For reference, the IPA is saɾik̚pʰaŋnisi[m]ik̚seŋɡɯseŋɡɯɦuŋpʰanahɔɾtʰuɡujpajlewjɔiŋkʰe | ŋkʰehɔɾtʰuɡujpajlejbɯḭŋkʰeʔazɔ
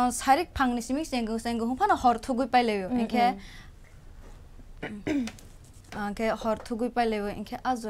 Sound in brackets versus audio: correct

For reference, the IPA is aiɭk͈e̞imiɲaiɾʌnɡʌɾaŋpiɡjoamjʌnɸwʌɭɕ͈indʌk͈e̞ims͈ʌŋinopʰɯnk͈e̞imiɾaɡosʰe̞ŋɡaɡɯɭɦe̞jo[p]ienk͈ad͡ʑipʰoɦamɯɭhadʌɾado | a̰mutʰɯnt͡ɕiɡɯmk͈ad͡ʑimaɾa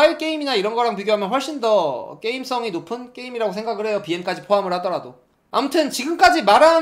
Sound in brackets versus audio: correct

